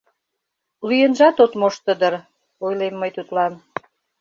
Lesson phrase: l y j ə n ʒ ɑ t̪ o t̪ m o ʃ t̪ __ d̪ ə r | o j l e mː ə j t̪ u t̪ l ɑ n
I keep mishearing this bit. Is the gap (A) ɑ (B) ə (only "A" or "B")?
B